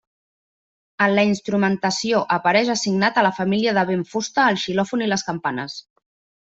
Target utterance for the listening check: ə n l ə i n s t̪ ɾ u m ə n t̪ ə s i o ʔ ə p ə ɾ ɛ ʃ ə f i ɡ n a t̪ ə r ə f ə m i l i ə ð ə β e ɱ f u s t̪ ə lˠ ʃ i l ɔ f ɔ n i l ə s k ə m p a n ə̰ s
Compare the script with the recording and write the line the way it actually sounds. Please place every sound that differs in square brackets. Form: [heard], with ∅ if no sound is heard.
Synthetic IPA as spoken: ə n l ə i n s t̪ ɾ u m ə n t̪ ə s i o ʔ ə p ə ɾ ɛ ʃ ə [s] i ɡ n a t̪ ə [l] ə f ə m i l i ə ð ə β e ɱ f u s t̪ [əː] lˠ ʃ i l ɔ f [u] n i l ə s k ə m p a n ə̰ s